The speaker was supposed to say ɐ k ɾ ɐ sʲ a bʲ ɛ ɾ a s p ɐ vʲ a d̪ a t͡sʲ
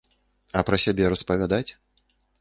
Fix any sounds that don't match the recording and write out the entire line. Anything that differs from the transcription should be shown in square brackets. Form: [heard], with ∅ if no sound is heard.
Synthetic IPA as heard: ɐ [p] ɾ ɐ sʲ a bʲ ɛ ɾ [ɐ] s p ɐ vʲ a d̪ a t͡sʲ